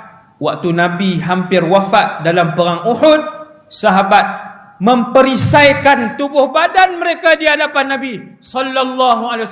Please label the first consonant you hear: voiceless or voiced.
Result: voiced